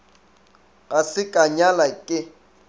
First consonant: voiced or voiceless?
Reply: voiceless